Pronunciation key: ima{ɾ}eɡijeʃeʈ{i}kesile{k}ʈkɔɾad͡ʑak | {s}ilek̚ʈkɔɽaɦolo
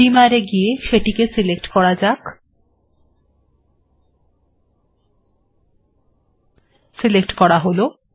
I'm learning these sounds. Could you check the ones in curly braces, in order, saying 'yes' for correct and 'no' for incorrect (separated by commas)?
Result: yes, yes, yes, yes